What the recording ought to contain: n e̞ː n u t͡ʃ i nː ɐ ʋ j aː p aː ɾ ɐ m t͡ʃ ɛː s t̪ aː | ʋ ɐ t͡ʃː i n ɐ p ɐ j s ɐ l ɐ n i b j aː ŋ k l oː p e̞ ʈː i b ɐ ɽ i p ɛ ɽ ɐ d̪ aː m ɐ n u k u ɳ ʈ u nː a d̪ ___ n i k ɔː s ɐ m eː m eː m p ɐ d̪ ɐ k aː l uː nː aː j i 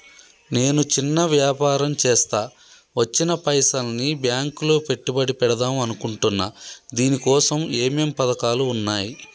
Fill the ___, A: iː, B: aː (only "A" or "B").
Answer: A